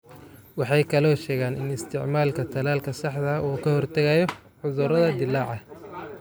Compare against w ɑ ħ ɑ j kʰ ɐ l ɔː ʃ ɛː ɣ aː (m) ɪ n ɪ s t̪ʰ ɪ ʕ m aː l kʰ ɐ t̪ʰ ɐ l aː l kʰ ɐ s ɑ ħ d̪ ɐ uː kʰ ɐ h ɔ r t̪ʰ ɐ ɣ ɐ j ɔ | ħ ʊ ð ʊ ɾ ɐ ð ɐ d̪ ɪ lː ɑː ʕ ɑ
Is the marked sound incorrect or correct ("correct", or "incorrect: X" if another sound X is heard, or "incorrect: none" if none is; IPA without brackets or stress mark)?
incorrect: n